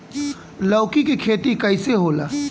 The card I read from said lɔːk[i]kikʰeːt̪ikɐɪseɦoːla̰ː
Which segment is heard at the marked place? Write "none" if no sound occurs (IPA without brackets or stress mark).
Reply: i